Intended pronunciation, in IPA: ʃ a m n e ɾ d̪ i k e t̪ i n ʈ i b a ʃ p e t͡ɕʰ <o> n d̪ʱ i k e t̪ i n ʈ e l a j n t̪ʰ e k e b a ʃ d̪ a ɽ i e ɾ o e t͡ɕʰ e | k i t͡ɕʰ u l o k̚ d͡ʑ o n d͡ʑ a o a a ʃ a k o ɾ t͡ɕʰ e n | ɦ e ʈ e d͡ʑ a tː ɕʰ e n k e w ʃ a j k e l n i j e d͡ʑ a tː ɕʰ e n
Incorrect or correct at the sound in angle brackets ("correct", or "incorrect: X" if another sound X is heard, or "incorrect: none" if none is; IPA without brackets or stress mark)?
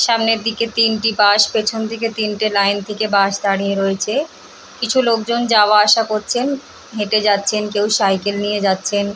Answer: correct